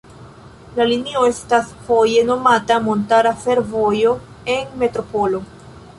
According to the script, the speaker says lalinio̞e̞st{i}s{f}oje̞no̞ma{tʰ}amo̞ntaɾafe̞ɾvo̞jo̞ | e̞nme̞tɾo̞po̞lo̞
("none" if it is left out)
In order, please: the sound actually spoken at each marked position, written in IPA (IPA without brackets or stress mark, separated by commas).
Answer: a, f, t